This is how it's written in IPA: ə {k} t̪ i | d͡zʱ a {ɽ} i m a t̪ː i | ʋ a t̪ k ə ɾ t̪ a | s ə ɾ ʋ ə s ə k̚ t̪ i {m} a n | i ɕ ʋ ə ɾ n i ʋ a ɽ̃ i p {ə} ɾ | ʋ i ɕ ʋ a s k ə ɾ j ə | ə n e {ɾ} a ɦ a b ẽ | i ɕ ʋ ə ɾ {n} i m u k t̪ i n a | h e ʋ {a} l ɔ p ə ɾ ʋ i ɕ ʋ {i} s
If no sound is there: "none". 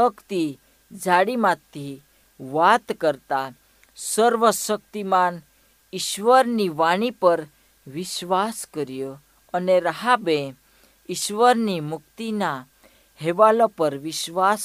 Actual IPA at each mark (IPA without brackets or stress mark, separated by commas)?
k, ɽ, m, ə, ɾ, n, a, a